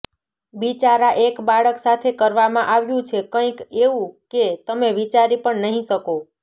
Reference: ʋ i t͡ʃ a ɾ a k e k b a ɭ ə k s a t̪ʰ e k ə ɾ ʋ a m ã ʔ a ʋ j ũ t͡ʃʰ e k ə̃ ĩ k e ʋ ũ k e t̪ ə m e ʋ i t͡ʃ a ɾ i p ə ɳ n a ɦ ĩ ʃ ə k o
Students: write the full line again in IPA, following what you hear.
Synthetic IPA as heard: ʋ i t͡ʃ a ɾ a ʔ e k b a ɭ ə k s a t̪ʰ e k ə ɾ ʋ a m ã ʔ a ʋ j ũ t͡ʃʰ e k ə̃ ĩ k e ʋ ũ k e t̪ ə m e ʋ i t͡ʃ a ɾ i p ə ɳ n ə ɦ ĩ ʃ ə k o